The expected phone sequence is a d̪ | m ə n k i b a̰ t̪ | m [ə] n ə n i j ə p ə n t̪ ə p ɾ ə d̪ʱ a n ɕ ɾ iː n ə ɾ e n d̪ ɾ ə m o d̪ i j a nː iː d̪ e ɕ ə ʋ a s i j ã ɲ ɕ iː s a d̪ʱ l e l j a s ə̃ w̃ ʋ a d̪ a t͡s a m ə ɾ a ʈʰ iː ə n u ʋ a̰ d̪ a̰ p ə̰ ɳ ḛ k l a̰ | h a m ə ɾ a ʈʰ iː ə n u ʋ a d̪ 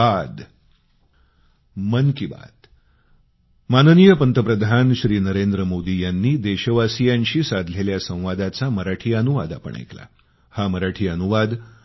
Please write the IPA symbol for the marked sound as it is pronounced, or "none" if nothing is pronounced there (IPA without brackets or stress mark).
a